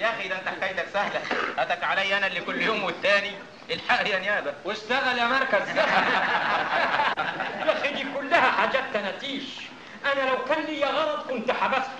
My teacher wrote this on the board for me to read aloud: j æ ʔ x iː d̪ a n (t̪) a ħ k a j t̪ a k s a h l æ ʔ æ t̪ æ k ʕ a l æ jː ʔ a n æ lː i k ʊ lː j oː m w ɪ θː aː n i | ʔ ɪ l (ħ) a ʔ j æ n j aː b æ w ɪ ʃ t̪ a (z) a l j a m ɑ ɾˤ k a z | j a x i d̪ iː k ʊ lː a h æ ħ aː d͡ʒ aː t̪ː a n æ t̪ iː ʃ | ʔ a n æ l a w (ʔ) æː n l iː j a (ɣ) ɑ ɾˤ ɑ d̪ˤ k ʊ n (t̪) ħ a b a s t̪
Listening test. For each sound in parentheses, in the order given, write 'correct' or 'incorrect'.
correct, correct, incorrect: ɣ, incorrect: k, correct, correct

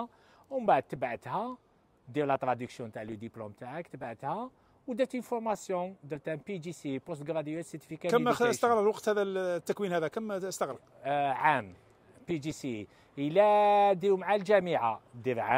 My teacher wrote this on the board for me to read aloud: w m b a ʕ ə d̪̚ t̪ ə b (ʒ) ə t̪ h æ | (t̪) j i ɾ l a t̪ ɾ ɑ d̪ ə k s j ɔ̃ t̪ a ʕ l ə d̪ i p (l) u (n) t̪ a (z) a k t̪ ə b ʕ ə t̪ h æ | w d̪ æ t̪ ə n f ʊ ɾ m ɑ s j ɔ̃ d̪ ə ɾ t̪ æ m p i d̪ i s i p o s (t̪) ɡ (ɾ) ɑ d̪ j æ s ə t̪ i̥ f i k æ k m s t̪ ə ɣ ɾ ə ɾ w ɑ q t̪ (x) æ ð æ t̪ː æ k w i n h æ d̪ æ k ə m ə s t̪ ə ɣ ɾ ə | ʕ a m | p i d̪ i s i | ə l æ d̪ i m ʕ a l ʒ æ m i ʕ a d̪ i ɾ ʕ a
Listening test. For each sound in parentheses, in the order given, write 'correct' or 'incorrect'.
incorrect: ʕ, incorrect: d̪, correct, incorrect: m, incorrect: ʕ, correct, correct, incorrect: h

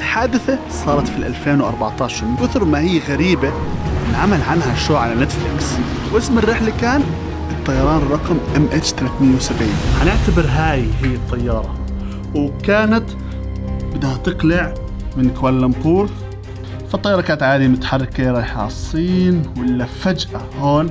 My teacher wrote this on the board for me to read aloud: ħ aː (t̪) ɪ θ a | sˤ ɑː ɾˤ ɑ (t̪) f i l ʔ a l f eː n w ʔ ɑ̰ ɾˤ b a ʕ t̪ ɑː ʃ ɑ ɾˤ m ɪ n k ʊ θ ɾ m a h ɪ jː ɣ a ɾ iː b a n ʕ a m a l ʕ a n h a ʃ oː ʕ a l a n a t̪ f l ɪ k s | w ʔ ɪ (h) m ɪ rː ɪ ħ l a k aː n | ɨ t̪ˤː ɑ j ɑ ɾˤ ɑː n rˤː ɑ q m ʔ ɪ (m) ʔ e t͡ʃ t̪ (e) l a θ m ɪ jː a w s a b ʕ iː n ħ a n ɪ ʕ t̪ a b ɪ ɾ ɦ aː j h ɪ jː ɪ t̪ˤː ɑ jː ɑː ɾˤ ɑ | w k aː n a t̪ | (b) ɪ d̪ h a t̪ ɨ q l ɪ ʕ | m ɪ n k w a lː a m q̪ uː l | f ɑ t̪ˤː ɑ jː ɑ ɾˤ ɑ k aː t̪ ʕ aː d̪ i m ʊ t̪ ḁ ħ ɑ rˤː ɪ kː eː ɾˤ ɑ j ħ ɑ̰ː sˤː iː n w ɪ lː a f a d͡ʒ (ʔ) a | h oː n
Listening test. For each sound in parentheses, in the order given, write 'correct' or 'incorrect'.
incorrect: d̪, correct, incorrect: s, correct, incorrect: a, correct, correct

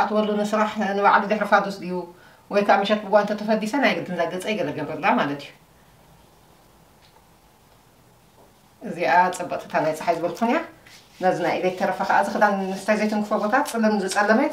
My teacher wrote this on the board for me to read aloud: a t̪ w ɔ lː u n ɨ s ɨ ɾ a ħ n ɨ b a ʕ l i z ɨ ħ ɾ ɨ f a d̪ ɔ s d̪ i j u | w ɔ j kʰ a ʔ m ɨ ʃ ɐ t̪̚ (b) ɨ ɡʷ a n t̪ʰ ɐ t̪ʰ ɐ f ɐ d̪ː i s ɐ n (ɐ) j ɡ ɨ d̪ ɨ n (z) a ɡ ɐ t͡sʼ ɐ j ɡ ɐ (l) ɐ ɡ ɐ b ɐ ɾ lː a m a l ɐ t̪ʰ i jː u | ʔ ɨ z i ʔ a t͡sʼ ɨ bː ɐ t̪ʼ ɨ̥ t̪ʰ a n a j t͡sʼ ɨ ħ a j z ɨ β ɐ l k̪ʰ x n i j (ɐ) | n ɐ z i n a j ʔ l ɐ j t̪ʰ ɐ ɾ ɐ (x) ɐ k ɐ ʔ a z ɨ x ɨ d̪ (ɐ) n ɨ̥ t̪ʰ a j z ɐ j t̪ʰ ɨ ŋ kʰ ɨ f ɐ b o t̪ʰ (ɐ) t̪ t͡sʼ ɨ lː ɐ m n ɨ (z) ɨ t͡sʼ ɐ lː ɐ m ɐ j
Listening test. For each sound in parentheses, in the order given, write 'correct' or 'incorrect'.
correct, incorrect: a, correct, correct, incorrect: a, incorrect: f, incorrect: a, incorrect: a, correct

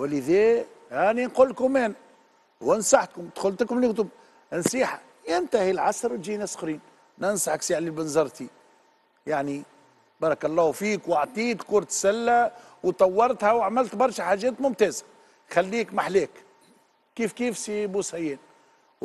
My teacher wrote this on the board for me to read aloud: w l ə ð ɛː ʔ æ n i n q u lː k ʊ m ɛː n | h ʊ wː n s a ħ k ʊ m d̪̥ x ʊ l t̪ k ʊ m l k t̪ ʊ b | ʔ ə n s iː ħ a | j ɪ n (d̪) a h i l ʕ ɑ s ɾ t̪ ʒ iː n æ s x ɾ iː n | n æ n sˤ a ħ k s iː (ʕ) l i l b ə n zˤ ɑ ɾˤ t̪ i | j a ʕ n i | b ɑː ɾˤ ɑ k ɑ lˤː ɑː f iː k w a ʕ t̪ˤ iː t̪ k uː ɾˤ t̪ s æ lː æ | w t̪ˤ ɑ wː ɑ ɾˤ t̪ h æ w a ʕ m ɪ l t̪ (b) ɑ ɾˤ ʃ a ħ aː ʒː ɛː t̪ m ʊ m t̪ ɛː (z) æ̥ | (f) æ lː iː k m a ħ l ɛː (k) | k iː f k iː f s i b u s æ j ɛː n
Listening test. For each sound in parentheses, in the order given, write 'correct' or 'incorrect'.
incorrect: t̪, correct, correct, correct, incorrect: x, correct

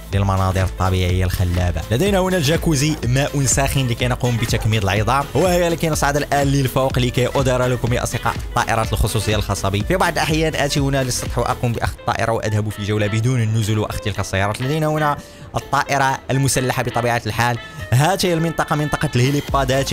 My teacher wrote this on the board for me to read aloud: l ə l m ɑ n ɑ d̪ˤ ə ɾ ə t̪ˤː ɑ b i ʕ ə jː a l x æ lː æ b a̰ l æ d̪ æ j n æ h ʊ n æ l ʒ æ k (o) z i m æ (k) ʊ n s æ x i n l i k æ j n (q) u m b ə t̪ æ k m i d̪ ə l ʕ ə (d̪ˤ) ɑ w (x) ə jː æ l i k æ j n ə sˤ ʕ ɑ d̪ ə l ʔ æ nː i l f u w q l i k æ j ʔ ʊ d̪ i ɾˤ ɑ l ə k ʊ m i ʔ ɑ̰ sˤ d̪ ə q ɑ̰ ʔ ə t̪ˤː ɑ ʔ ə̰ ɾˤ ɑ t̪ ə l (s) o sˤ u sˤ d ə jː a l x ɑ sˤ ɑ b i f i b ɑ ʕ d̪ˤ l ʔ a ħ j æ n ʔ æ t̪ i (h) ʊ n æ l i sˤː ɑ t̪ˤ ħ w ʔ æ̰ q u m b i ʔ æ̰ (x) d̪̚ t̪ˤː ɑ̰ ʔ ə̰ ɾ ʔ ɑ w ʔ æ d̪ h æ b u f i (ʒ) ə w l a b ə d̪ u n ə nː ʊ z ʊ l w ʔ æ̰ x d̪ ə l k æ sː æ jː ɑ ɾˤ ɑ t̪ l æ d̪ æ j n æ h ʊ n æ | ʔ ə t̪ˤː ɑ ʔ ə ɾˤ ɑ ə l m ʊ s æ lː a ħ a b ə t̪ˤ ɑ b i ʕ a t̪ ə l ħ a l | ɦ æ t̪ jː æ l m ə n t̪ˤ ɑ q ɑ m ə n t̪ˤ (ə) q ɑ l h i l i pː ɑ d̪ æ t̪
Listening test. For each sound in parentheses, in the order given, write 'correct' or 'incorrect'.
incorrect: u, incorrect: ʔ, correct, correct, incorrect: h, incorrect: x, correct, correct, correct, incorrect: ɑ

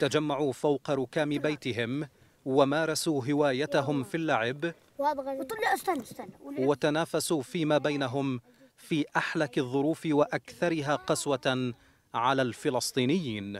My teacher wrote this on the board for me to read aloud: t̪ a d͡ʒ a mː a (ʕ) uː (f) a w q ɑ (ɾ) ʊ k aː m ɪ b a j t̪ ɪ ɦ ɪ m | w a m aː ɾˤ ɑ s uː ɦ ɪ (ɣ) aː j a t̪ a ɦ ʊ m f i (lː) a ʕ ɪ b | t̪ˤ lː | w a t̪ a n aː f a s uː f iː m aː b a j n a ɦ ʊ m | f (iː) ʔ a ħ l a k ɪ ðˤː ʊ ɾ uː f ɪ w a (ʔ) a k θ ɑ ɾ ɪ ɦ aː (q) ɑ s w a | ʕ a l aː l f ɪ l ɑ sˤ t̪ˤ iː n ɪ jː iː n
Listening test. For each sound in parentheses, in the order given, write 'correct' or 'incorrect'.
correct, correct, correct, incorrect: w, correct, correct, correct, correct

